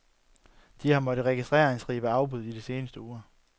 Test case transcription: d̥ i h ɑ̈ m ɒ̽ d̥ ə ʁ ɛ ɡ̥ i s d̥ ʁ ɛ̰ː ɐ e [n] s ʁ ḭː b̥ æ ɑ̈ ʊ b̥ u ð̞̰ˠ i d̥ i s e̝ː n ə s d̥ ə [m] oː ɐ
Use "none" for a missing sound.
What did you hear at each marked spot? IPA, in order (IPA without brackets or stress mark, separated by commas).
ŋ, none